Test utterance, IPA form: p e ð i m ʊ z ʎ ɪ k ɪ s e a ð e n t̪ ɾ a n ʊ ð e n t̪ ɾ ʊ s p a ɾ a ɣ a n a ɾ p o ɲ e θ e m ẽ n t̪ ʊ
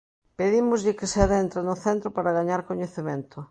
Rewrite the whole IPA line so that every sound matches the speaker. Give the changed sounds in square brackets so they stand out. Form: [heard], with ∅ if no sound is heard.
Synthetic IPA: p e ð i m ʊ z ʎ ɪ k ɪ s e a ð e n t̪ ɾ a n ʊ [θ] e n t̪ ɾ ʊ [∅] p a ɾ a ɣ a [ɲ] a ɾ [k] o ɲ e θ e m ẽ n t̪ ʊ